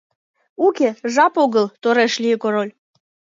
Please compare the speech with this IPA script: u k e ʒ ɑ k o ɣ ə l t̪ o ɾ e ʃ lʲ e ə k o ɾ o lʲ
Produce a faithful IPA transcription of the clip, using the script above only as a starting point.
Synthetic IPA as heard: u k e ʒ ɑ p o ɣ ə l t̪ o ɾ e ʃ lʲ i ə k o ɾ o lʲ